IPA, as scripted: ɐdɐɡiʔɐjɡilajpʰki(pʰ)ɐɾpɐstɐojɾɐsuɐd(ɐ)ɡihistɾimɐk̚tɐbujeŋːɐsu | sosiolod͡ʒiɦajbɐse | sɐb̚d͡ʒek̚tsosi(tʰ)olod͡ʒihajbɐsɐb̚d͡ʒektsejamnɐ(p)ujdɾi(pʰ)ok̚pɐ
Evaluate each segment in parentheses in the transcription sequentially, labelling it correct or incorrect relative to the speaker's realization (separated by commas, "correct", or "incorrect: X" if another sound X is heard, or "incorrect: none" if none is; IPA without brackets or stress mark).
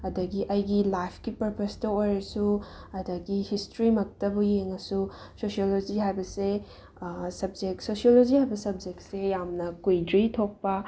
incorrect: p, correct, incorrect: none, incorrect: k, incorrect: tʰ